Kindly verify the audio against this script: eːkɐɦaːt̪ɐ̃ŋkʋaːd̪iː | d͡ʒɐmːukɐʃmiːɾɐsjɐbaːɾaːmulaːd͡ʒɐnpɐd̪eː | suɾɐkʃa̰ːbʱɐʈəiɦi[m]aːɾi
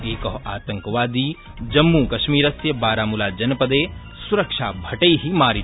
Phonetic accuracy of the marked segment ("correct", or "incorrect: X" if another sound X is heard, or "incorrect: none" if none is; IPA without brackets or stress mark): correct